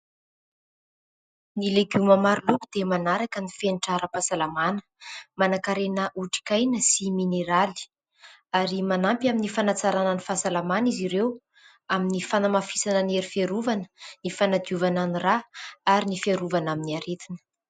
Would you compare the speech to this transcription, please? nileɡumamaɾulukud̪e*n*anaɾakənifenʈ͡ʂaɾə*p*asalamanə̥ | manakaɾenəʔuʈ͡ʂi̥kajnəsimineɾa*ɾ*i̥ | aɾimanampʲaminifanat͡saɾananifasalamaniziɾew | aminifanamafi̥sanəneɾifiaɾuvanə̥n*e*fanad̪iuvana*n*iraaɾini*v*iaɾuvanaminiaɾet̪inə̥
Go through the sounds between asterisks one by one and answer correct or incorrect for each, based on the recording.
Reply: incorrect: m, correct, incorrect: l, incorrect: i, correct, incorrect: f

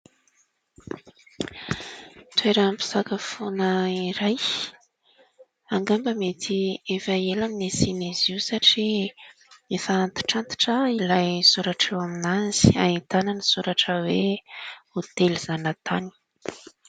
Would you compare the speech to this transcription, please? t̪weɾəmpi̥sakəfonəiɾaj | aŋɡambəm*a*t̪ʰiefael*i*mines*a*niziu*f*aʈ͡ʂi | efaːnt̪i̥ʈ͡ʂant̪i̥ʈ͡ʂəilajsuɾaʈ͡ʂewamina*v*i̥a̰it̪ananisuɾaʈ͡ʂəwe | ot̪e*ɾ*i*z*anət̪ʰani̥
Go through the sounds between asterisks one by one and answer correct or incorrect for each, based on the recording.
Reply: incorrect: e, incorrect: a, incorrect: i, incorrect: s, incorrect: z, incorrect: l, correct

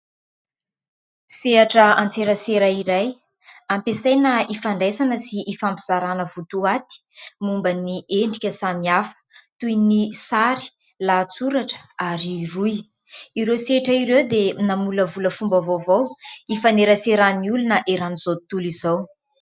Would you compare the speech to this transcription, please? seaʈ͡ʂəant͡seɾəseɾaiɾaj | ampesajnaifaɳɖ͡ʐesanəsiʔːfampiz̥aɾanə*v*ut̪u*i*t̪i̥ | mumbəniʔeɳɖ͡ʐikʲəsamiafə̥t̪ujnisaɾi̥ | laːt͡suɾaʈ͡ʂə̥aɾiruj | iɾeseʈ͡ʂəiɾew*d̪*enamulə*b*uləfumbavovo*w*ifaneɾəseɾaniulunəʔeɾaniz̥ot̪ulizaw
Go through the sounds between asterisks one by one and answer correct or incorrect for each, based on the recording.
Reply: correct, incorrect: a, correct, incorrect: v, correct

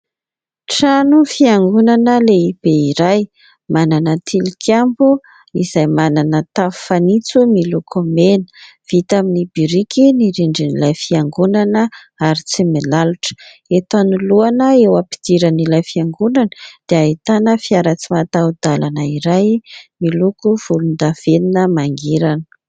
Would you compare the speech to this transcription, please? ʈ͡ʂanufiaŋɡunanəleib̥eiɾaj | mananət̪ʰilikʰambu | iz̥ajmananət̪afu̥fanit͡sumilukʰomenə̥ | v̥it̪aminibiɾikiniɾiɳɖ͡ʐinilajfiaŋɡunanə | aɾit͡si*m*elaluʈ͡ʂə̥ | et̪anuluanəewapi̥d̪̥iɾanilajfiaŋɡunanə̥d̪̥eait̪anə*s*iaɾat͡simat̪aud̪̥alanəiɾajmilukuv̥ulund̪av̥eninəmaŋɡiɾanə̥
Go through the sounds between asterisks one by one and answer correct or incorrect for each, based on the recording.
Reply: correct, incorrect: f

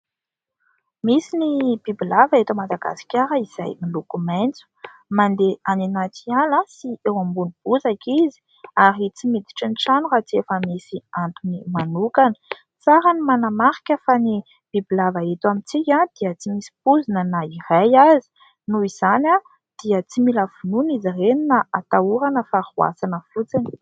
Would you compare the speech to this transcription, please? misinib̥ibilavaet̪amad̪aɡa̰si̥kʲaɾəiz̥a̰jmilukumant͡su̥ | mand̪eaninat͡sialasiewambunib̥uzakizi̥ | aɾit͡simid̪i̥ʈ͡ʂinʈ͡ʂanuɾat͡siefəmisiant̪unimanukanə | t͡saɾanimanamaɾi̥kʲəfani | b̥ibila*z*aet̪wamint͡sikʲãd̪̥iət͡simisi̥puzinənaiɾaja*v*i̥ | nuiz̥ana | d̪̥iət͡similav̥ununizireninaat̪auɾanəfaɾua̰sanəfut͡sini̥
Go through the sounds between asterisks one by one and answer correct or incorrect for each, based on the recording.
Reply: incorrect: v, incorrect: z

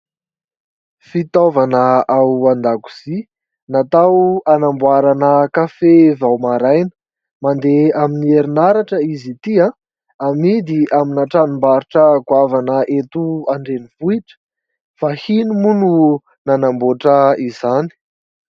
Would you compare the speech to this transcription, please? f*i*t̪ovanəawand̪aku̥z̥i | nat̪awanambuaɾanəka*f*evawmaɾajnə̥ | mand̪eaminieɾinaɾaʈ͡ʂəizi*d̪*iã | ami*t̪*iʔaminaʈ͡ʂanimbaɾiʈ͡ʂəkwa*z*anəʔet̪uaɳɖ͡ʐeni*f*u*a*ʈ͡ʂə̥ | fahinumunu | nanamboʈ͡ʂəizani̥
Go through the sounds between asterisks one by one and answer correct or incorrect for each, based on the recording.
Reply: correct, correct, incorrect: t̪, incorrect: d̪, incorrect: v, incorrect: v, incorrect: i

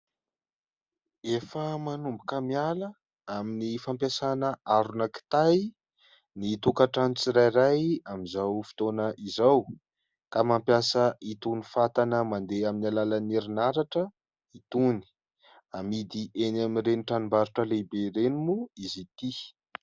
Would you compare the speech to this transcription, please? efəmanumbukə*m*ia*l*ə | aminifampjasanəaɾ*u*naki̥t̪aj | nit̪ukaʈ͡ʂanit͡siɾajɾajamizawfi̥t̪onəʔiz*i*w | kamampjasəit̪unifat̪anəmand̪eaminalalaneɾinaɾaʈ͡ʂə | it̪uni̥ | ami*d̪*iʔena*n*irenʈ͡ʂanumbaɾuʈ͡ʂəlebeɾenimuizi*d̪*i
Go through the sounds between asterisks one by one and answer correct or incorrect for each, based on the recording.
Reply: correct, correct, correct, incorrect: a, correct, incorrect: m, incorrect: t̪

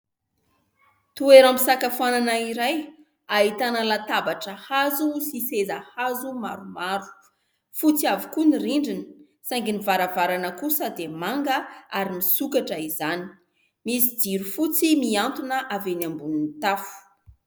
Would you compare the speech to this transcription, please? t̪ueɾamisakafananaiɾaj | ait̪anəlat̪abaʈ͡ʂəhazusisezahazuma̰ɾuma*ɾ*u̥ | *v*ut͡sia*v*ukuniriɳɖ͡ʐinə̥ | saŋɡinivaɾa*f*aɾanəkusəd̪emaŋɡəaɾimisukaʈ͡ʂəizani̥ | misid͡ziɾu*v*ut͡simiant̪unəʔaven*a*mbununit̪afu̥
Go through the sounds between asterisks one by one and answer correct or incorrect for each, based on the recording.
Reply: correct, incorrect: f, correct, incorrect: v, incorrect: f, correct

